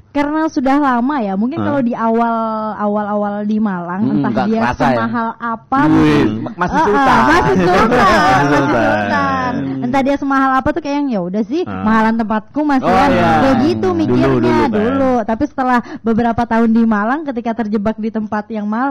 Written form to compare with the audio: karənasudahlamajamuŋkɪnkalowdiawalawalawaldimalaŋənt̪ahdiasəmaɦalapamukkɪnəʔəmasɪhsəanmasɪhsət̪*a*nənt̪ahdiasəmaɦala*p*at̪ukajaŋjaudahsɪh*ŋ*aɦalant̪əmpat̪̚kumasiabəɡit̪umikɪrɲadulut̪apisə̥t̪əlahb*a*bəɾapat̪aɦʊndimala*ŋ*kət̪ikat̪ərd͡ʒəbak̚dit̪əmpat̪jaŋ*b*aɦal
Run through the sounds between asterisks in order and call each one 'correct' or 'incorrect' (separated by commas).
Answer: correct, correct, incorrect, incorrect, correct, incorrect